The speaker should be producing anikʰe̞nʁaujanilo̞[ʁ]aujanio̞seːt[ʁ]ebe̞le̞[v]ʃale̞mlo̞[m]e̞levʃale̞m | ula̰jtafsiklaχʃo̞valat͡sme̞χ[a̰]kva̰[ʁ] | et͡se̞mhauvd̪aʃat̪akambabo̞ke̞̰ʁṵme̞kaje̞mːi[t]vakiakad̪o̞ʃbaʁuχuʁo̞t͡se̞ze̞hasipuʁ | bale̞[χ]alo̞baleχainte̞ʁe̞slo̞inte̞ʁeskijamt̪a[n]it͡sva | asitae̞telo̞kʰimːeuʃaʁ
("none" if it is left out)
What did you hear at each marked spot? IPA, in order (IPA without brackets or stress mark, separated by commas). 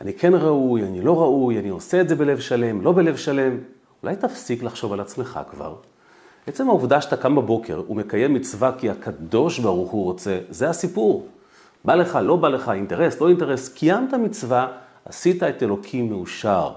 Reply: ʁ, z, v, b, a̰, ʁ, t͡s, χ, m